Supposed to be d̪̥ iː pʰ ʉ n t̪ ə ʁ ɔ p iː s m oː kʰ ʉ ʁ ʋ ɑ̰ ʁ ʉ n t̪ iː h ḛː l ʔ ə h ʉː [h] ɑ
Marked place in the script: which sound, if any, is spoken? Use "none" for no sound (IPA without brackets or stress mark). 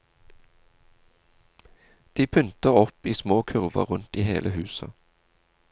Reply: s